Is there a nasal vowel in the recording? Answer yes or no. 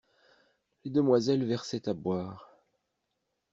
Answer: no